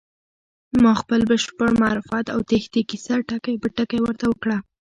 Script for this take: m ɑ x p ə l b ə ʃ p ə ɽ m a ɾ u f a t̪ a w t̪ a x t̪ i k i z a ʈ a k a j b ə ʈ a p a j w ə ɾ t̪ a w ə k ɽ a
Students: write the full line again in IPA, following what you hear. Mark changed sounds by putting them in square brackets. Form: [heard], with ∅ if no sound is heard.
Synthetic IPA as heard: m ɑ x p ə l b ə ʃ p ə ɽ m a ɾ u f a t̪ a w t̪ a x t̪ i k i [s] a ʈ a k a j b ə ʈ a [k] a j w ə ɾ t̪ a w ə k ɽ a